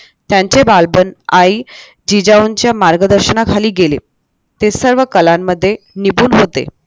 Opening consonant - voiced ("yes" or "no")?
no